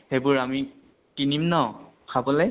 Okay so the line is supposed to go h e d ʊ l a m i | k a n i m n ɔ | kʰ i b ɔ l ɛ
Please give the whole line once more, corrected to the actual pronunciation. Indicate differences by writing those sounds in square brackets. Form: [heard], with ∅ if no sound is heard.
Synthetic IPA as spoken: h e [b] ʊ [ɹ] a m i | k [i] n i m n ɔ | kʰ [a] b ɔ l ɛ